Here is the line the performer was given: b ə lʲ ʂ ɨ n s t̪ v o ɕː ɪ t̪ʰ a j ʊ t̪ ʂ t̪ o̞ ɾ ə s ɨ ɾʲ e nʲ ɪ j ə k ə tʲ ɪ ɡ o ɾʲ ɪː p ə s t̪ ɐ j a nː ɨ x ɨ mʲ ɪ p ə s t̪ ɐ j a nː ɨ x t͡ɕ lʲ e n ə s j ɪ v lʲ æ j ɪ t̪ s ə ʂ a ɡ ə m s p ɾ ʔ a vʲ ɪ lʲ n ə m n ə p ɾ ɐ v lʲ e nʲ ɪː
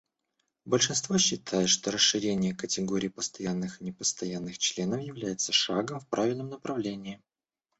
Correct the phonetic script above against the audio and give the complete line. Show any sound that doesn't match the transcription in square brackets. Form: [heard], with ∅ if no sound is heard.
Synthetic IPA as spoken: b ə lʲ ʂ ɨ n s t̪ v o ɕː ɪ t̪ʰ a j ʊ t̪ ʂ t̪ o̞ ɾ ə s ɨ ɾʲ e nʲ ɪ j ə k ə tʲ ɪ ɡ o ɾʲ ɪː p ə s t̪ ɐ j a nː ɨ x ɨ [nʲ] ɪ p ə s t̪ ɐ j a nː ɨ x t͡ɕ lʲ e n ə [f] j ɪ v lʲ æ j ɪ t̪ s ə ʂ a ɡ ə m [f] p ɾ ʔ a vʲ ɪ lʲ n ə m n ə p ɾ ɐ v lʲ e nʲ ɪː